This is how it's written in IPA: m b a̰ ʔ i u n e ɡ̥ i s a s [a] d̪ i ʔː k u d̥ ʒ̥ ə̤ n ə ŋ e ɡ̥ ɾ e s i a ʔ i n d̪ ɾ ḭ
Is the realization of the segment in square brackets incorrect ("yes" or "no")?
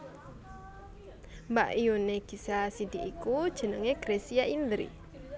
yes